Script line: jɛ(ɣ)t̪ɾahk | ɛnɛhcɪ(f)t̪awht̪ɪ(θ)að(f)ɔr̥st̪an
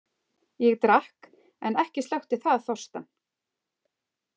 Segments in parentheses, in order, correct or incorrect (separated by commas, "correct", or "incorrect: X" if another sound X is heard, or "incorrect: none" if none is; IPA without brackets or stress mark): correct, incorrect: s, correct, incorrect: θ